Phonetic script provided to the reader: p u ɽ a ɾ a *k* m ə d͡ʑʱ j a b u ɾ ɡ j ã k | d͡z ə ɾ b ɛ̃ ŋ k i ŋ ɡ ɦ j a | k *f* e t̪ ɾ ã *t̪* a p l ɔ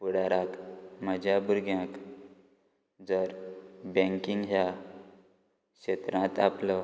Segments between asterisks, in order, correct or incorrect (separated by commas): correct, incorrect, correct